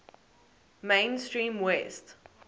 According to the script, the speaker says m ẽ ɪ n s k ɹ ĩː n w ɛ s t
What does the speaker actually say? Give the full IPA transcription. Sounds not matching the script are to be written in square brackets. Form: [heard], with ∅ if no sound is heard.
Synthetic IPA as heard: m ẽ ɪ n s [t] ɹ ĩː [m] w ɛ s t